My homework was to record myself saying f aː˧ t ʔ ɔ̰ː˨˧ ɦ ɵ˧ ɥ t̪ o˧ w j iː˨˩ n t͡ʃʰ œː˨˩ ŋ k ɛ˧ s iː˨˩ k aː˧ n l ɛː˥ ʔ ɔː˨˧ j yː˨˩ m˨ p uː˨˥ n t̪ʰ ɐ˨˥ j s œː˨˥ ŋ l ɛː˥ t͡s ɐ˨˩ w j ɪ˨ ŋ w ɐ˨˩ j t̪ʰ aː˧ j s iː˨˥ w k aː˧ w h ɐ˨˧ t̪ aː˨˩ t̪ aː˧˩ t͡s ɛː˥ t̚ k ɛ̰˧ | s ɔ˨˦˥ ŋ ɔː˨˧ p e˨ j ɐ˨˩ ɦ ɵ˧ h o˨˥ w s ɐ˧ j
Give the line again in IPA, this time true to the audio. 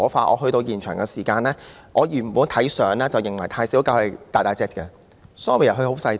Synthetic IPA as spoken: f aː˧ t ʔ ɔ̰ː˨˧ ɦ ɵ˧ ɥ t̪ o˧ w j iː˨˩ n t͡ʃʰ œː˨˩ ŋ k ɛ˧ s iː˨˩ k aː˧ n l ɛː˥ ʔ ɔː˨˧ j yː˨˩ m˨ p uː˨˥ n t̪ʰ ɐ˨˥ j s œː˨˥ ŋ l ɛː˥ t͡s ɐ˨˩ w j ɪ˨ ŋ w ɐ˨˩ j t̪ʰ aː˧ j s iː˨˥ w k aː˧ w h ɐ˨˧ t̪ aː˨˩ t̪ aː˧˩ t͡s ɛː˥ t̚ k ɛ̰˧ | s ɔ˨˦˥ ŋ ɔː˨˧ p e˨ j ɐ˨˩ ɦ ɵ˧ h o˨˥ w s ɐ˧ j

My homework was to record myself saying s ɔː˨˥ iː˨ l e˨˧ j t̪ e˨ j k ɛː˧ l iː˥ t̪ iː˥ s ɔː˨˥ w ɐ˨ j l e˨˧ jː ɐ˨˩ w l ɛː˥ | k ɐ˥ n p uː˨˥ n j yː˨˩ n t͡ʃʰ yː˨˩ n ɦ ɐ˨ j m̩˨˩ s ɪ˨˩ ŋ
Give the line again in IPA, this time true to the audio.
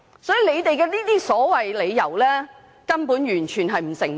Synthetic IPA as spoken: s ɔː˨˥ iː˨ l e˨˧ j t̪ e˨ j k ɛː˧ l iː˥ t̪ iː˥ s ɔː˨˥ w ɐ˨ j l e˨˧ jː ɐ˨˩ w l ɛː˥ | k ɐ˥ n p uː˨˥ n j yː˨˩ n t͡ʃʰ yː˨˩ n ɦ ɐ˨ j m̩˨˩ s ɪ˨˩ ŋ

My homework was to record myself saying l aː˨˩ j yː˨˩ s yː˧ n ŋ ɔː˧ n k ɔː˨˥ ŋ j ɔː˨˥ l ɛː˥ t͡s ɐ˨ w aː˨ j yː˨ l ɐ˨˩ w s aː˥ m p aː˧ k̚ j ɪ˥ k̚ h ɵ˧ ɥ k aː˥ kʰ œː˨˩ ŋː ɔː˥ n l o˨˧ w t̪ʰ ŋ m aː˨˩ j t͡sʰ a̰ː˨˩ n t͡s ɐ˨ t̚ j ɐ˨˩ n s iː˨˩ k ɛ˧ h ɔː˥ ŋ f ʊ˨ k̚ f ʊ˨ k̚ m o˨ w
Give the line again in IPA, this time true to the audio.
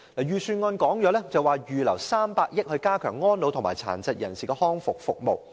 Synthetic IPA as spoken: l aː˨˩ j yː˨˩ s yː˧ n ŋ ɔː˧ n k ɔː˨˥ ŋ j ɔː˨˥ l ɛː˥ t͡s ɐ˨ w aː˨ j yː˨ l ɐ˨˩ w s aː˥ m p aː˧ k̚ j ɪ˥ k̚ h ɵ˧ ɥ k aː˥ kʰ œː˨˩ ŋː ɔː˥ n l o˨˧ w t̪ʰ ŋ m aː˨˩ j t͡sʰ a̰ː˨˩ n t͡s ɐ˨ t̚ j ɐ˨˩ n s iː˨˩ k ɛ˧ h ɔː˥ ŋ f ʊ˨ k̚ f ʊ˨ k̚ m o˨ w

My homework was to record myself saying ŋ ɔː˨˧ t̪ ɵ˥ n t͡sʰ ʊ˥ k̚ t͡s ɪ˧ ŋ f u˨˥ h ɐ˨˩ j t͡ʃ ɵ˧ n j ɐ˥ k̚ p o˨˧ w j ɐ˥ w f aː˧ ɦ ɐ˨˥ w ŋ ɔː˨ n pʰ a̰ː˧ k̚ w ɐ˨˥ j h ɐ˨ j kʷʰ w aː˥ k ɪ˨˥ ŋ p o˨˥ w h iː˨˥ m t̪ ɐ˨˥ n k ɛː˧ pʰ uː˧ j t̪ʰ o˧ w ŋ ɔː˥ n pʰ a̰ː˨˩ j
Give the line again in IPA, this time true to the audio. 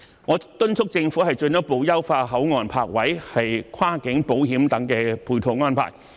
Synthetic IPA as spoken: ŋ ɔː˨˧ t̪ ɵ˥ n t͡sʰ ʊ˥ k̚ t͡s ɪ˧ ŋ f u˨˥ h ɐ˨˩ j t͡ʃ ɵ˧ n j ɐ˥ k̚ p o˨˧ w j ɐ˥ w f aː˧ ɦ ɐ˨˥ w ŋ ɔː˨ n pʰ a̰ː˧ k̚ w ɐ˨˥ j h ɐ˨ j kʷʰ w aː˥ k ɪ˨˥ ŋ p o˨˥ w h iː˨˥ m t̪ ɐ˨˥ ŋ k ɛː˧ pʰ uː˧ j t̪ʰ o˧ w ŋ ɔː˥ n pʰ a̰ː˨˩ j

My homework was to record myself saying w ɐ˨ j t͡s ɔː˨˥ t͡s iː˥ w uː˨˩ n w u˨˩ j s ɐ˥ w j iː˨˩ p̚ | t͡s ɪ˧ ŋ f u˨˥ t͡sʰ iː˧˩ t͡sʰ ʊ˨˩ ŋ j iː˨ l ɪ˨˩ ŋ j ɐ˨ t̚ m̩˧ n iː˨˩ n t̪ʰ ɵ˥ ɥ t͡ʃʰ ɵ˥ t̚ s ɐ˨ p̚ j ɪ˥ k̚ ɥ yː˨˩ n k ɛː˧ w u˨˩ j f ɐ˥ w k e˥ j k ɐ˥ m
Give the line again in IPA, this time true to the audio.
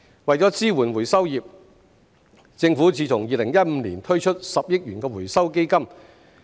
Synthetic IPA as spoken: w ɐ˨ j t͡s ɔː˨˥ t͡s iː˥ w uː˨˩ n w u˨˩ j s ɐ˥ w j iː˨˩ p̚ | t͡s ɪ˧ ŋ f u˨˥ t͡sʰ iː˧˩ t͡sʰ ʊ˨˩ ŋ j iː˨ l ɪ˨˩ ŋ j ɐ˥ t̚ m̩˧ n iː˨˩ n t̪ʰ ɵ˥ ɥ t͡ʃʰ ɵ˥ t̚ s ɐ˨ p̚ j ɪ˥ k̚ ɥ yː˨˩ n k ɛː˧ w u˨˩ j s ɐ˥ w k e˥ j k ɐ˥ m

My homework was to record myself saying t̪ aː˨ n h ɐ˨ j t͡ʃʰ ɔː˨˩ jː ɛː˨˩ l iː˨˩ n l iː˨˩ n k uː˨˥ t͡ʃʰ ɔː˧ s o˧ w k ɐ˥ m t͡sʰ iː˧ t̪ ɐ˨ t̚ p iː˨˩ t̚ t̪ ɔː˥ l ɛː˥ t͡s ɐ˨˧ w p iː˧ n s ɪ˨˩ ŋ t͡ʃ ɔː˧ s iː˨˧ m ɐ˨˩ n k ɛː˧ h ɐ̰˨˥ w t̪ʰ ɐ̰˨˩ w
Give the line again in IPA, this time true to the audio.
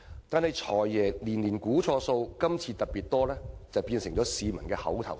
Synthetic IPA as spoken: t̪ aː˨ n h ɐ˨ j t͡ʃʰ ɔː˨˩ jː ɛː˨˩ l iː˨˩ n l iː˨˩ n k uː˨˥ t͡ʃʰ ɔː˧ s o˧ w k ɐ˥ m t͡sʰ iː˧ t̪ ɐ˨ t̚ p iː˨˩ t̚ t̪ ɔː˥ l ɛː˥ t͡s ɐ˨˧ w p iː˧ n s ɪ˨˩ ŋ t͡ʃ ɔː˨˥ s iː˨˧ m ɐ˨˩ n k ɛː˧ h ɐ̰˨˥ w t̪ʰ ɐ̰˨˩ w

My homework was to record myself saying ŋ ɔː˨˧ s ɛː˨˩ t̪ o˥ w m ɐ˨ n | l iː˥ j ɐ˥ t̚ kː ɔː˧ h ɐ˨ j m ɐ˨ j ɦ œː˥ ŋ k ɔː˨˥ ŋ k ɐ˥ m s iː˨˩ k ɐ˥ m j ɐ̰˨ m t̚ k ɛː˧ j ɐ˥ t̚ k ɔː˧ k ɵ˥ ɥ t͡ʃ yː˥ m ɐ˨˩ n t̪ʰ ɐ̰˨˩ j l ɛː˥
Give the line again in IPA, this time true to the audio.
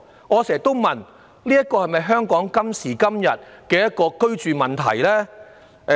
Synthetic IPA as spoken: ŋ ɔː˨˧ s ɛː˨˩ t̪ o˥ w m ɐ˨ n | l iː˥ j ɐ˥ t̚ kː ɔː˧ h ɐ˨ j m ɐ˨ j ɦ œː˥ ŋ k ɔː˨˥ ŋ k ɐ˥ m s iː˨˩ k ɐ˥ m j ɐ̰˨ t̚ k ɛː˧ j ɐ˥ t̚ k ɔː˧ k ɵ˥ ɥ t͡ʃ yː˨ m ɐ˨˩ n t̪ʰ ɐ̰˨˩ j l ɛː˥

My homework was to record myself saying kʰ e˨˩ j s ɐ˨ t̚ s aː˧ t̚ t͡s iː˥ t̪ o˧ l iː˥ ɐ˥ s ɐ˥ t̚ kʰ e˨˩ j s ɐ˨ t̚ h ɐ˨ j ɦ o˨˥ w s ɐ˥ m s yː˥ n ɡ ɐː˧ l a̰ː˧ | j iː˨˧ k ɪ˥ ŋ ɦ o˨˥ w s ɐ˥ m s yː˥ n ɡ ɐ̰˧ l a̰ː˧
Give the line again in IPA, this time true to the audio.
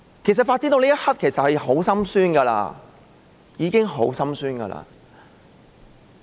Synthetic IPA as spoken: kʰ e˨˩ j s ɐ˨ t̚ f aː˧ t̚ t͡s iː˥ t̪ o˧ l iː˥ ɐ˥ h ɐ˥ t̚ kʰ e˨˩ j s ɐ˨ t̚ h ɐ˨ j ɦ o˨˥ w s ɐ˥ m s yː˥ n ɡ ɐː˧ l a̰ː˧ | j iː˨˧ k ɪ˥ ŋ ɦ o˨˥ w s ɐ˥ m s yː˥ n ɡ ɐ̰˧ l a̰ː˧

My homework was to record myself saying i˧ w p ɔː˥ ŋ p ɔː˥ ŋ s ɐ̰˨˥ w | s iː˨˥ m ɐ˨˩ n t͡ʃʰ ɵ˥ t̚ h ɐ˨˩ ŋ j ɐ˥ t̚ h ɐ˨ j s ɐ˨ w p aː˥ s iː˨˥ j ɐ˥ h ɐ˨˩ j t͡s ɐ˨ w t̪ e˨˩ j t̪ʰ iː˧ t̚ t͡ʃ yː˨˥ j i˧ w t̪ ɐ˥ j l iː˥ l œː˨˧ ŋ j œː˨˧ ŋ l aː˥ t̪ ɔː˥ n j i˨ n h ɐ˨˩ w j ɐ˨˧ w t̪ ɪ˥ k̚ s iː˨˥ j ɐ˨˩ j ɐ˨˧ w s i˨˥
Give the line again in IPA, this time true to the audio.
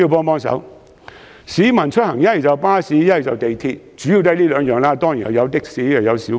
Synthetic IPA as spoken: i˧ w p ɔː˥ ŋ p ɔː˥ ŋ s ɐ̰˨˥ w | s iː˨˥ m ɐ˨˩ n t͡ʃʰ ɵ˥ t̚ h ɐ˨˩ ŋ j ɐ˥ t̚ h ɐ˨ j t͡s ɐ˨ w p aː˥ s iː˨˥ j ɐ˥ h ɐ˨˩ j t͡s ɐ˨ w t̪ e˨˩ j t̪ʰ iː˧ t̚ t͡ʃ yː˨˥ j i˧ w t̪ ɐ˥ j l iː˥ l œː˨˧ ŋ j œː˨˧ ŋ l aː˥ t̪ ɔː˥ ŋ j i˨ n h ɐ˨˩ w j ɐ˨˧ w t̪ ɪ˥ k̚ s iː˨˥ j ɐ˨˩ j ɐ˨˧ w s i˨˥

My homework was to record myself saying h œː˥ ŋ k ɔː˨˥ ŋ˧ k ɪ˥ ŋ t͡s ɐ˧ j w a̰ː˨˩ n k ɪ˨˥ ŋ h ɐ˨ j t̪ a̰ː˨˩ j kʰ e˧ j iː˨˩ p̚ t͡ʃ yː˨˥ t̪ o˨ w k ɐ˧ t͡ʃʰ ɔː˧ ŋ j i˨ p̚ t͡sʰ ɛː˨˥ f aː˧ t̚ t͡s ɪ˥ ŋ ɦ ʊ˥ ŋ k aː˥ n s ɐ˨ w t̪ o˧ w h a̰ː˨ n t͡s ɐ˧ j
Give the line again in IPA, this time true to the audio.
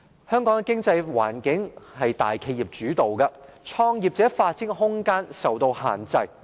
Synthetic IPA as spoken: h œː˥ ŋ k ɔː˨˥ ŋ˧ k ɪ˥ ŋ t͡s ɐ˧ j w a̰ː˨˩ n k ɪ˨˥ ŋ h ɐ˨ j t̪ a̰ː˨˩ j kʰ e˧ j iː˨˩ p̚ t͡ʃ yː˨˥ t̪ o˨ w k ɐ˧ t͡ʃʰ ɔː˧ ŋ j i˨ p̚ t͡s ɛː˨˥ f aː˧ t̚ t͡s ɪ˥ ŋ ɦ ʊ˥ ŋ k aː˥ n s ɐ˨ w t̪ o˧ w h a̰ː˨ n t͡s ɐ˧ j

